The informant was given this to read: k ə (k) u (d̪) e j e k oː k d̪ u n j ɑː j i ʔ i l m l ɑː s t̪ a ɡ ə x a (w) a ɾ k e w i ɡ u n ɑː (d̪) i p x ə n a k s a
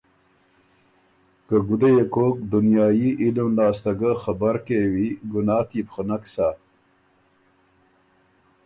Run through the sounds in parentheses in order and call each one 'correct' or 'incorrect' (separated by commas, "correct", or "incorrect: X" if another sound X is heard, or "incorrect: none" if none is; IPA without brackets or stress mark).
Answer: incorrect: ɡ, correct, incorrect: b, incorrect: t̪